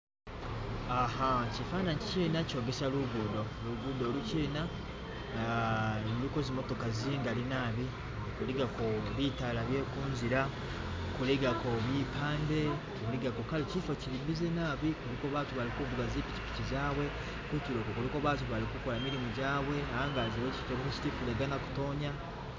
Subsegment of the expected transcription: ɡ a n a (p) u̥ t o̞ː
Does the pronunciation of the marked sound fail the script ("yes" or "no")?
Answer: yes